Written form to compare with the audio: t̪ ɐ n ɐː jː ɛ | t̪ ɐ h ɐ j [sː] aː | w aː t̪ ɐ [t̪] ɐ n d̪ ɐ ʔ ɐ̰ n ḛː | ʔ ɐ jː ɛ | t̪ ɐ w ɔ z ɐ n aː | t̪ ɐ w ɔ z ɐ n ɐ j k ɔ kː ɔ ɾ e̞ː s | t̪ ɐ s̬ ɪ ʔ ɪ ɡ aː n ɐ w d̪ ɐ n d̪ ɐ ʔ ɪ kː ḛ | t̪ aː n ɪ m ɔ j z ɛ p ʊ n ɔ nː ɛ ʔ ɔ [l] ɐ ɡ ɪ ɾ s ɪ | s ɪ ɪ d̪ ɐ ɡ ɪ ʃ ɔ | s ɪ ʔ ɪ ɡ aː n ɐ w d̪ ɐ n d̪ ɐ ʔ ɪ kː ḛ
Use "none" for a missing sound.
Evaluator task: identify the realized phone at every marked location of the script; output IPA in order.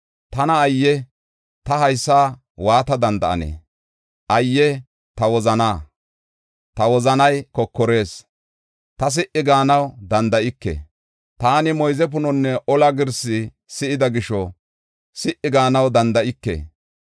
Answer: sː, d̪, l

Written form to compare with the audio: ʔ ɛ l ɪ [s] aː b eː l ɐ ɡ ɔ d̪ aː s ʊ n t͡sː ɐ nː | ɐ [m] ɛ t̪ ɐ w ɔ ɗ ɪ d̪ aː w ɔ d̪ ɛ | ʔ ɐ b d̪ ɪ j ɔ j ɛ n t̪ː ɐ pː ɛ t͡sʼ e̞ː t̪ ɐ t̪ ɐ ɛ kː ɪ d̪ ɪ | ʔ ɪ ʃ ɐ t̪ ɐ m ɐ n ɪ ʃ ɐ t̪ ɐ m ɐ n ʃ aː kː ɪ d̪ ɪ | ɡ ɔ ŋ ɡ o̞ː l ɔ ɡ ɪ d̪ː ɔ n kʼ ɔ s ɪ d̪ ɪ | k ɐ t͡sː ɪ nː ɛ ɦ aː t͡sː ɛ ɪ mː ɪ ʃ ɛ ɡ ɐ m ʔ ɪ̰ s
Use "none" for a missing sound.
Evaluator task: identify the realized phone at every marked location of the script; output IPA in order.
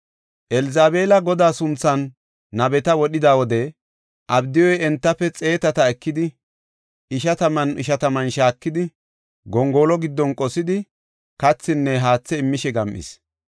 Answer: z, b

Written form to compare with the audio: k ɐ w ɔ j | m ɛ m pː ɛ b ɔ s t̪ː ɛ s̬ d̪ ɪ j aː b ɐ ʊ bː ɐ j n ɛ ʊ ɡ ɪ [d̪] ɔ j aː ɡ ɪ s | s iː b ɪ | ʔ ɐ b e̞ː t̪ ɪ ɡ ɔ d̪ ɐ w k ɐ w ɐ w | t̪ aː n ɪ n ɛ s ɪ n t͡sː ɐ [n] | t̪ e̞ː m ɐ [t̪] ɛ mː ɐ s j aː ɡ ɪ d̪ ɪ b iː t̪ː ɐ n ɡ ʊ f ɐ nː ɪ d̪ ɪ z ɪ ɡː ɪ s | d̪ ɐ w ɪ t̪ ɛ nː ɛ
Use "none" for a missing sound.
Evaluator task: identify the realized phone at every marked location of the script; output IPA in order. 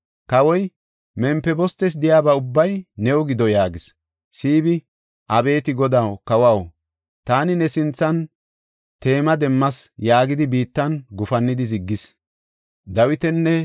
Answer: d̪, n, d̪

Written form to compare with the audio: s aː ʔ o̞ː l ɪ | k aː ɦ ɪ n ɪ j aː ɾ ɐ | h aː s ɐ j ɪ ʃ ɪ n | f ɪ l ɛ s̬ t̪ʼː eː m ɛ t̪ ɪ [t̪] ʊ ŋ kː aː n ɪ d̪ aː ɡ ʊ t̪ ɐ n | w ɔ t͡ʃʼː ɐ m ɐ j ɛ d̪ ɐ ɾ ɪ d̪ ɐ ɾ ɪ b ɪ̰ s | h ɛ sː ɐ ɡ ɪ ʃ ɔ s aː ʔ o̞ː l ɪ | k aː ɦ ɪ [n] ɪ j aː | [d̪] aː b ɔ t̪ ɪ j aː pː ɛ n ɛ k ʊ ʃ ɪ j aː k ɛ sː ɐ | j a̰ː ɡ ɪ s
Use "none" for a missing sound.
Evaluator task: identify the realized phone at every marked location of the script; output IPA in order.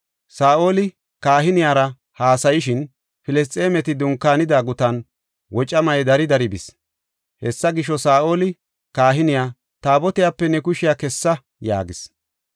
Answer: d̪, n, t̪

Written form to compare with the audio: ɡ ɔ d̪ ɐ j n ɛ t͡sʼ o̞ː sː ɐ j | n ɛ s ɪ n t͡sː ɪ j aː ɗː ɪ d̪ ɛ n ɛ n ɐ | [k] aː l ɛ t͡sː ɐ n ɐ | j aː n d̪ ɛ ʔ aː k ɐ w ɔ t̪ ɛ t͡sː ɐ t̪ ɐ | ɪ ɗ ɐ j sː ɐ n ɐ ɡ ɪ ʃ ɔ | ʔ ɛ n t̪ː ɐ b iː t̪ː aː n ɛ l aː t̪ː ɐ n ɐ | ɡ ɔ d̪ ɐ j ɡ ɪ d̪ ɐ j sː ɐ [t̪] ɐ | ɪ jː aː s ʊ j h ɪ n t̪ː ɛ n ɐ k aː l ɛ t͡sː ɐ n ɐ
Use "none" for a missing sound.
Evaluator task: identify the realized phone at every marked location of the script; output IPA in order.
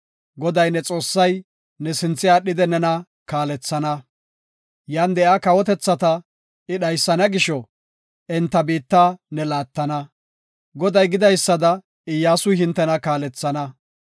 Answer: k, d̪

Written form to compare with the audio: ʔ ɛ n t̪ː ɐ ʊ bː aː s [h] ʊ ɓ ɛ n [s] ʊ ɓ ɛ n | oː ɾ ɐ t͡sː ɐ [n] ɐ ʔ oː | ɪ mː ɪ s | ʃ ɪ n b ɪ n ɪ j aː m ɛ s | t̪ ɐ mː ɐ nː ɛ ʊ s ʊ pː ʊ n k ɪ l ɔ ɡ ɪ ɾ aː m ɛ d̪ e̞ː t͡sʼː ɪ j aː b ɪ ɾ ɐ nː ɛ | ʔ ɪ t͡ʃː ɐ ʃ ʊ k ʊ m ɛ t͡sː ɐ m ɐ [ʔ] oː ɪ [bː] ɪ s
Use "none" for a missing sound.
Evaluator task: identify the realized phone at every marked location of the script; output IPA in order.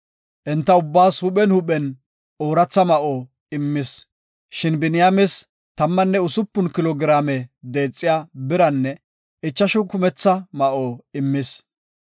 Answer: h, h, m, ʔ, mː

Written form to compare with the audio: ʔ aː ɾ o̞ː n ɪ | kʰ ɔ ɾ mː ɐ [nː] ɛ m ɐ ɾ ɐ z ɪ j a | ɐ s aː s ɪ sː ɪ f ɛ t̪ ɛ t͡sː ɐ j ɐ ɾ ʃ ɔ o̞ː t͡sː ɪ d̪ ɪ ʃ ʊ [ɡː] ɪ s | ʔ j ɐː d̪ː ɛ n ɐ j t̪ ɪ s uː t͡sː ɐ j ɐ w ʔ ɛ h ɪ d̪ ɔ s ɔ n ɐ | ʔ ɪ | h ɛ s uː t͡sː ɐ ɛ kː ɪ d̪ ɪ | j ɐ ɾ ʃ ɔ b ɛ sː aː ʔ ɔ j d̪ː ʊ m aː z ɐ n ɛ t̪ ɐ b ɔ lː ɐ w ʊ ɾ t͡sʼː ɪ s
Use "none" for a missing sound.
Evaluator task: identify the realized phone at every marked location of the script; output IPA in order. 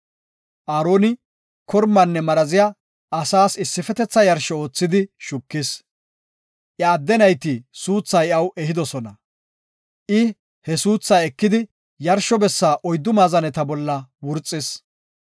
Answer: nː, kː

